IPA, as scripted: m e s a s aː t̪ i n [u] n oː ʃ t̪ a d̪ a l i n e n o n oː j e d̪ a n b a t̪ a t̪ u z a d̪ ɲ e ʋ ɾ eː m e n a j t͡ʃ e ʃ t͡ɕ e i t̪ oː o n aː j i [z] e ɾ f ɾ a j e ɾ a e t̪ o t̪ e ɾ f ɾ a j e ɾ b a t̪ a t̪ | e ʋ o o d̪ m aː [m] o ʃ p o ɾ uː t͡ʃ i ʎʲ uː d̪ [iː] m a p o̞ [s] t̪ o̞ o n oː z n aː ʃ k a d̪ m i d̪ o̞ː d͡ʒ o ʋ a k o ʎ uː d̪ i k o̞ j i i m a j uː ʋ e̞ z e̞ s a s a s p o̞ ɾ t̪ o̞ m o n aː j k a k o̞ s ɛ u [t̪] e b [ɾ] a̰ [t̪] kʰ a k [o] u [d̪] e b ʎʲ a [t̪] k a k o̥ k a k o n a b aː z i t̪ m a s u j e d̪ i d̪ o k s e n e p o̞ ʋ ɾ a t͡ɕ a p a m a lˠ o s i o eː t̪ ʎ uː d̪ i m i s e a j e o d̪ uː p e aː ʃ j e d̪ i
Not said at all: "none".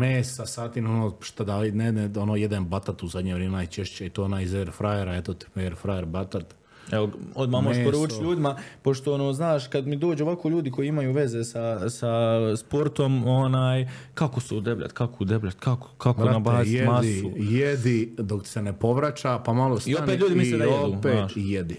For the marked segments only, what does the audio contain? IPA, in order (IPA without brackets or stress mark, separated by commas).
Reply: o, z, m, i, ʃ, d̪, ʎ, t̪, o, d̪, t̪